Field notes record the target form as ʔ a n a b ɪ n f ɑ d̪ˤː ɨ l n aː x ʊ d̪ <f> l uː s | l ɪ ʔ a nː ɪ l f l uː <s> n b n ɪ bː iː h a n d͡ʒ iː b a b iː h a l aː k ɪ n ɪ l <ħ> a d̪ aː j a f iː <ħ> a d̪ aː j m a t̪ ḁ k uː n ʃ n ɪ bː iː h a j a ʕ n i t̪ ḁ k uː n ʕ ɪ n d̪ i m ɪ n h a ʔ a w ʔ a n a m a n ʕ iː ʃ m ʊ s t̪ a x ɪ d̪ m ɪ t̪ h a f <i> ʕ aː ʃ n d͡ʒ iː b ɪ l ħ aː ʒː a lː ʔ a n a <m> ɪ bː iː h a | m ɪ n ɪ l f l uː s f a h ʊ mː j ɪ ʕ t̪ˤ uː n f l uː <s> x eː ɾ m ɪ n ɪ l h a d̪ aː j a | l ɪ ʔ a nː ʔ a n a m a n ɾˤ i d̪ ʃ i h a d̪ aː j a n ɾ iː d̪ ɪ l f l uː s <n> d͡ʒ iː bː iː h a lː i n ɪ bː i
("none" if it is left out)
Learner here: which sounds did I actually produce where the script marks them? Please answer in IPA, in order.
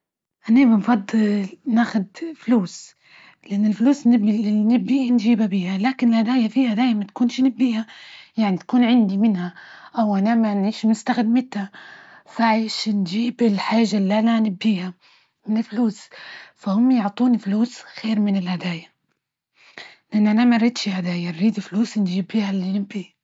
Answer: f, s, h, h, a, n, s, n

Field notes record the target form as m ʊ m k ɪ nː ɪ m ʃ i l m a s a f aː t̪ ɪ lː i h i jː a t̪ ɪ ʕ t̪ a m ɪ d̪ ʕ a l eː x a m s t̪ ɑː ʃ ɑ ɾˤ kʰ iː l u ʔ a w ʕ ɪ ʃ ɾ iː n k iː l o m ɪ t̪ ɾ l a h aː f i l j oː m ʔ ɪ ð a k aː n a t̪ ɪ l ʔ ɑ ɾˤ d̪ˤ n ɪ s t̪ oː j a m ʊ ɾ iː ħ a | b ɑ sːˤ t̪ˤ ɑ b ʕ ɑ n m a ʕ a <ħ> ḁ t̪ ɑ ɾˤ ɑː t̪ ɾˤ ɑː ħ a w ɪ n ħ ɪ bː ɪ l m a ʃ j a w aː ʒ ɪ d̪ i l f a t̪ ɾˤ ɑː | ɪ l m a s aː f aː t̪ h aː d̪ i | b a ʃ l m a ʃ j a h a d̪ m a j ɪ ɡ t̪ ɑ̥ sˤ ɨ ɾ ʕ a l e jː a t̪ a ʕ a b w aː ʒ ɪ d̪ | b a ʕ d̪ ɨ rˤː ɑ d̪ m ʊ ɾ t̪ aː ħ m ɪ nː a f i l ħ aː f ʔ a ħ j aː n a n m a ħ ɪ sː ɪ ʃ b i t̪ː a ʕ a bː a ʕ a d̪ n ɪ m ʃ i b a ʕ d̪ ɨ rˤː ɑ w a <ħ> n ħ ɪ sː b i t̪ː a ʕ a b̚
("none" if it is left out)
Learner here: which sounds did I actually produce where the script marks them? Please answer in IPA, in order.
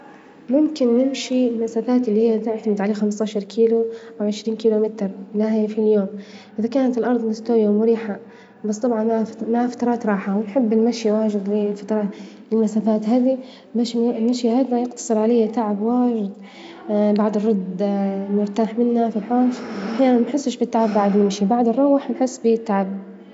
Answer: f, ħ

